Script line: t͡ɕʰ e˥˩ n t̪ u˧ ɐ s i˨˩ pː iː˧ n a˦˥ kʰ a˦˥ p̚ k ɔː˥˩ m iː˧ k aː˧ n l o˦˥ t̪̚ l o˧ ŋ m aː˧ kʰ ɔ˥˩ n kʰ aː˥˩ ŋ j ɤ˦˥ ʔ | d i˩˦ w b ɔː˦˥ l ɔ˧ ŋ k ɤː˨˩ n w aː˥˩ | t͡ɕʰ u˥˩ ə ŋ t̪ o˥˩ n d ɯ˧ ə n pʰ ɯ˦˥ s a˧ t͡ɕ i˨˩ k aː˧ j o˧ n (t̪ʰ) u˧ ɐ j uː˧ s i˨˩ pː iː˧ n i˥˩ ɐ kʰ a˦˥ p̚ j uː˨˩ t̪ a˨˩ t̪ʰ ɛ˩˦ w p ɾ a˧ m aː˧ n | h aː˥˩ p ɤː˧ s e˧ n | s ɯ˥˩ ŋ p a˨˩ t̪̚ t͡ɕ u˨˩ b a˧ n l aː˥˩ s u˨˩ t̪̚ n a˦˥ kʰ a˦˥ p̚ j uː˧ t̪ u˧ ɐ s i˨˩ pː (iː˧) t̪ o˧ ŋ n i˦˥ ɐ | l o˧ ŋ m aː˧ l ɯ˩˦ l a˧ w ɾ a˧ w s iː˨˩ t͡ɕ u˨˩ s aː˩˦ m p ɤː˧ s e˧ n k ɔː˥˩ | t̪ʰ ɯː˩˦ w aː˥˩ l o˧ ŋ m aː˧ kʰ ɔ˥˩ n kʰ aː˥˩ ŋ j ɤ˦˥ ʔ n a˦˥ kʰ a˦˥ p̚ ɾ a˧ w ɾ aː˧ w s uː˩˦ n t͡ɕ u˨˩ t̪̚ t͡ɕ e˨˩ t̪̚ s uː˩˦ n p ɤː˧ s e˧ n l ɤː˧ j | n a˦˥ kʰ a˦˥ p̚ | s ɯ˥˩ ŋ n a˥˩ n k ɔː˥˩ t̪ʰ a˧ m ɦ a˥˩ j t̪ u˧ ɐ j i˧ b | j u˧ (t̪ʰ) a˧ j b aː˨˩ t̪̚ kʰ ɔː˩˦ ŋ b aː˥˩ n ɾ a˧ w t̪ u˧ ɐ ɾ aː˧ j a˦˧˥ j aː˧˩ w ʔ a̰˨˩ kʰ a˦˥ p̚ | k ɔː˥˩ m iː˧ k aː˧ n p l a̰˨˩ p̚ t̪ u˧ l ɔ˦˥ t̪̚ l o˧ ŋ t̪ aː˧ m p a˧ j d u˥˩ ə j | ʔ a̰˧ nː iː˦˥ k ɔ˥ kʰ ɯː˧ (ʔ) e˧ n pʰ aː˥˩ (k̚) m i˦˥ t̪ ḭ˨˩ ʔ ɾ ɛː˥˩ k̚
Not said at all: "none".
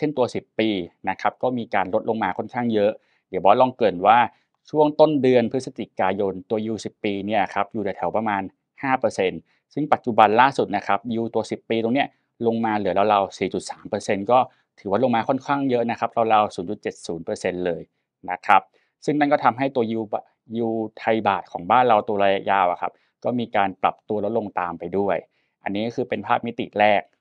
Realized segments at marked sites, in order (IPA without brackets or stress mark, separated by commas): t̪, iː˧, t̪ʰ, p, p̚